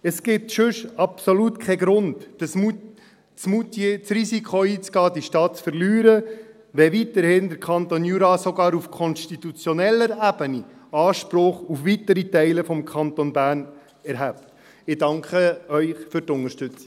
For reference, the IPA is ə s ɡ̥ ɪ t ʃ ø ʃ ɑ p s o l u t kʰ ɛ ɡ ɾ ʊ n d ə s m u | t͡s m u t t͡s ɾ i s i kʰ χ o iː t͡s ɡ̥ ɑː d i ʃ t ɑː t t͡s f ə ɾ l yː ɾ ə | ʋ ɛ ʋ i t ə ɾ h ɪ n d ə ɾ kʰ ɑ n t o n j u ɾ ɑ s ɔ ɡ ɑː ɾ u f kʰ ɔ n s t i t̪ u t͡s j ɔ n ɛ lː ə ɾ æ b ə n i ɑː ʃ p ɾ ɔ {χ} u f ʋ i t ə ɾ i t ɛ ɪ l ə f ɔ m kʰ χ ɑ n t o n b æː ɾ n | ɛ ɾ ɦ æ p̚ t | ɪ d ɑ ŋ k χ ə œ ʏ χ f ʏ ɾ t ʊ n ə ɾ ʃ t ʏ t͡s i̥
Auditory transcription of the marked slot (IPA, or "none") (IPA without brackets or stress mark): χ